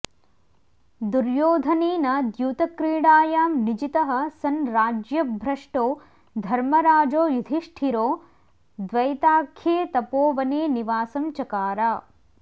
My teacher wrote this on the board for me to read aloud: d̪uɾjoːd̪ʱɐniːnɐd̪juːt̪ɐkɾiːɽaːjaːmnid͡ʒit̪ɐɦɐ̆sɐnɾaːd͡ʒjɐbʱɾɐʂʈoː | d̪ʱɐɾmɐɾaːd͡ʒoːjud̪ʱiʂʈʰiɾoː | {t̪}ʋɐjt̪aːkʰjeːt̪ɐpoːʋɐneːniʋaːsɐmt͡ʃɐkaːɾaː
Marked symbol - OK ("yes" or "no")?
no